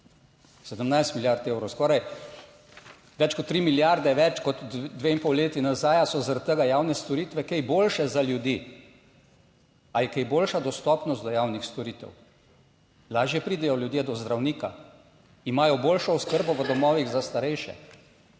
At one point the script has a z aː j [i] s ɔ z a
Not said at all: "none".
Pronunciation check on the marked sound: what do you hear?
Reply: a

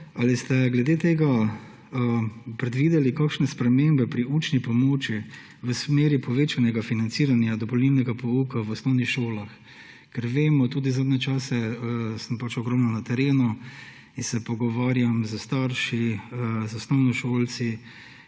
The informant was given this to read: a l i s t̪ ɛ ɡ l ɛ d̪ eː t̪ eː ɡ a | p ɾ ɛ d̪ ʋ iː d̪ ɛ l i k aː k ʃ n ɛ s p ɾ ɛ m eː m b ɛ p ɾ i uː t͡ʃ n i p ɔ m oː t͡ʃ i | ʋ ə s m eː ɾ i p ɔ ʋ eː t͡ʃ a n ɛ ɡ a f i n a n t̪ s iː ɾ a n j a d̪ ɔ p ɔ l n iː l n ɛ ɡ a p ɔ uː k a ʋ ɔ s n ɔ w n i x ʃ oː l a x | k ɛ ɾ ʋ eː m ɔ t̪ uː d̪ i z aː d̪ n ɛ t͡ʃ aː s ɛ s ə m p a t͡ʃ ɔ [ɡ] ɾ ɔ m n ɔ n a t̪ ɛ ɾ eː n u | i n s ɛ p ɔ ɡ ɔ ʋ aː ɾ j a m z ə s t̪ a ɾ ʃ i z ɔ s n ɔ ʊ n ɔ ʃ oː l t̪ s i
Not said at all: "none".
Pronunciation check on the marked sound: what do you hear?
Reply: ɡ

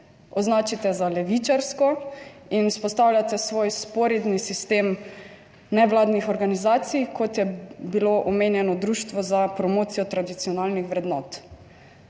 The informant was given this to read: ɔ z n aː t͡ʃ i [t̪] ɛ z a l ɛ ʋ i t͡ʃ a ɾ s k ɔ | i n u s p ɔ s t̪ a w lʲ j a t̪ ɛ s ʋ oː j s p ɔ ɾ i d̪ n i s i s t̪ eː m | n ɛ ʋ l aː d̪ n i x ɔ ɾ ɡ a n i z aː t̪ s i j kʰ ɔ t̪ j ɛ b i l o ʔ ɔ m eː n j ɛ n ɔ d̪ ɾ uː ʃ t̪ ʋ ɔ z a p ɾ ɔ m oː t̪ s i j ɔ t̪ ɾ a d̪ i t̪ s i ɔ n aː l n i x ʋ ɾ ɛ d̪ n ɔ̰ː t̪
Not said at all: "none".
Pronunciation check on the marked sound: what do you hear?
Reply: t̪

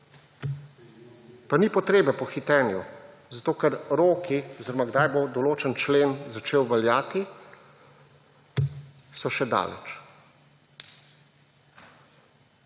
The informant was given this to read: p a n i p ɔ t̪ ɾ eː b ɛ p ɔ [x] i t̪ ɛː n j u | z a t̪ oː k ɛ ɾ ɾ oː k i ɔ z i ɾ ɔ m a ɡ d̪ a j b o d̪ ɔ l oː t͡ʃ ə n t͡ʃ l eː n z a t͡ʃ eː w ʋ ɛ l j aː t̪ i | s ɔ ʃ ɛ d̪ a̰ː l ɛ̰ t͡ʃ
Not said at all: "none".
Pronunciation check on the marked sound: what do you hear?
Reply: x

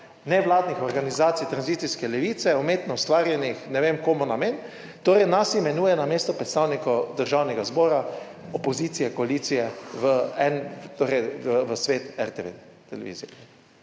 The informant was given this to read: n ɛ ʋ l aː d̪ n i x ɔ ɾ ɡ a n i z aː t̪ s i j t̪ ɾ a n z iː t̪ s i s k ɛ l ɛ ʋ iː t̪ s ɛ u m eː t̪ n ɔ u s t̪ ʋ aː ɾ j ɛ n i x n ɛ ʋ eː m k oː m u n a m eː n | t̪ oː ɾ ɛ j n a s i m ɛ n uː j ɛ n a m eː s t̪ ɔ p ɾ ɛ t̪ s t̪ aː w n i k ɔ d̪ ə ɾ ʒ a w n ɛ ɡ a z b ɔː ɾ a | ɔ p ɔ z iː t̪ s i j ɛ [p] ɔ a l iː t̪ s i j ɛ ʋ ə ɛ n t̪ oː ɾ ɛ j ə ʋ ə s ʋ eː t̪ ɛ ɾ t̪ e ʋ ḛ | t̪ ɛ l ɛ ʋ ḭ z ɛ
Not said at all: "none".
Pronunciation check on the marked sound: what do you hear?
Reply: k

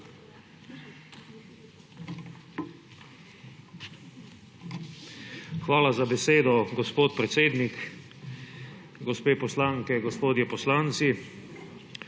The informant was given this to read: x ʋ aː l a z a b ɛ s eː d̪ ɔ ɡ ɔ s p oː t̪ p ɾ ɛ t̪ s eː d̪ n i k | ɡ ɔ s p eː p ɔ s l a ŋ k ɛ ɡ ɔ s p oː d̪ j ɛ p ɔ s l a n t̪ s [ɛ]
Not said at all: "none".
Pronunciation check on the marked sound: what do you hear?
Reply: i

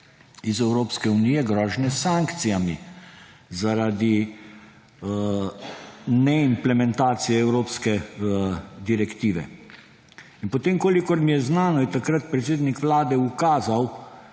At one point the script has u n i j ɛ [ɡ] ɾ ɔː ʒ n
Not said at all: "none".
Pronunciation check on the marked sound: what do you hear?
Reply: ɡ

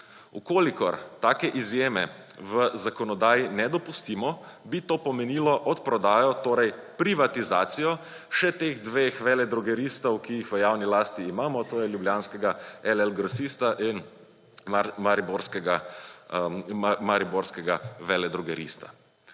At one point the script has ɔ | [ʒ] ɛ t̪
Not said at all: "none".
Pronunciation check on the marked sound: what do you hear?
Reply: ʃ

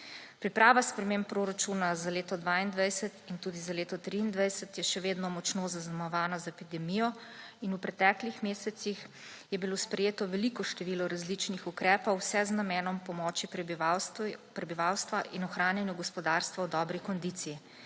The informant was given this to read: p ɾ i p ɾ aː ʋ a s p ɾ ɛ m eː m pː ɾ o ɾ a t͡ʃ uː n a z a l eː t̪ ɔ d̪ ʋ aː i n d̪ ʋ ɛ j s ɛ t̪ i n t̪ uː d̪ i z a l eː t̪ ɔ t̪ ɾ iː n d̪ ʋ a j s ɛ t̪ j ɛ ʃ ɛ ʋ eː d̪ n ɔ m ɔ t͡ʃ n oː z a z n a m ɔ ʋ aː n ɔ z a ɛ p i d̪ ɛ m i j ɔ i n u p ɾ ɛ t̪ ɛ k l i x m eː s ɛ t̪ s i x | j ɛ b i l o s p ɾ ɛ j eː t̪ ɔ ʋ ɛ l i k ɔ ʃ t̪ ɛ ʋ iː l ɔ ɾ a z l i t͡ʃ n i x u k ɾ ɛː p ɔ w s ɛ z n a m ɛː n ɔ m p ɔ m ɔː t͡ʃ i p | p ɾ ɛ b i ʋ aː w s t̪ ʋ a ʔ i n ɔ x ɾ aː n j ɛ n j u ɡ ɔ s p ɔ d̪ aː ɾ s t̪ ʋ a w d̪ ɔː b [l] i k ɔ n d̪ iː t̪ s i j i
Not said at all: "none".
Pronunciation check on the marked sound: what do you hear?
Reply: ɾ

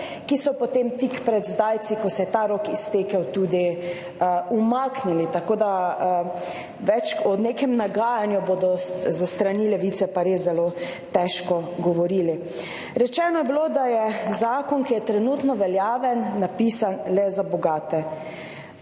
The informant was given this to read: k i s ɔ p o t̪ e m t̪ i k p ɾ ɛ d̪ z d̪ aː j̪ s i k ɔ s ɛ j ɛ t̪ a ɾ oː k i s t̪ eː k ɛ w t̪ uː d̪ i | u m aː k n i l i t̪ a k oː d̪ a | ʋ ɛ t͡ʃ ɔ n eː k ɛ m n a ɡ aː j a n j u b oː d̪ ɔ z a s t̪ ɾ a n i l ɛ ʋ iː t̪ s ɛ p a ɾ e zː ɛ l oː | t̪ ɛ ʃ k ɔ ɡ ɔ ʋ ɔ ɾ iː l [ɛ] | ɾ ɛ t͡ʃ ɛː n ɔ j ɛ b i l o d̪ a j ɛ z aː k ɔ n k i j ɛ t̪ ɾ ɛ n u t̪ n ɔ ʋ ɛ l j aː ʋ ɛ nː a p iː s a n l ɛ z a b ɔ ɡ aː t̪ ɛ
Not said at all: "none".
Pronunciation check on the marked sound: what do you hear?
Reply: i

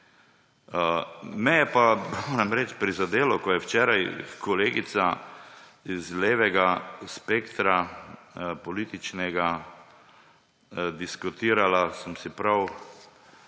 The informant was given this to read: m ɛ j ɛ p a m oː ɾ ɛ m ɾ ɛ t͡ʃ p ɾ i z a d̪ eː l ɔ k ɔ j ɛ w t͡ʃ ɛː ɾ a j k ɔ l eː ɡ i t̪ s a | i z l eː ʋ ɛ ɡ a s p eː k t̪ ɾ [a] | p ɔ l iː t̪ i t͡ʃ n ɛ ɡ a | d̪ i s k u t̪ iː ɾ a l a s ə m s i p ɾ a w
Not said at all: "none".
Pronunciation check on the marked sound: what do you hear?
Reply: a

